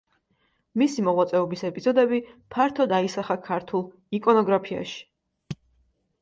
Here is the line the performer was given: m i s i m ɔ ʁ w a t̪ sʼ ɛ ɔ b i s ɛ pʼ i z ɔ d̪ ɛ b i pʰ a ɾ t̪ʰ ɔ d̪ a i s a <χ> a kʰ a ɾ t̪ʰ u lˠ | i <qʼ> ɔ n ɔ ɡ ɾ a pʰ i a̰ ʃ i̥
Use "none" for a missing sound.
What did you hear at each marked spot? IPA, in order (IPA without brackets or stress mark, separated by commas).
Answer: χ, kʼ